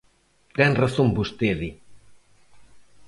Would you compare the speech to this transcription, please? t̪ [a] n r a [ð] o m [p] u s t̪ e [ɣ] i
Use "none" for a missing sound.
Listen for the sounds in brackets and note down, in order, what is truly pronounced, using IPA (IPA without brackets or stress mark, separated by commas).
ɛ, θ, b, ð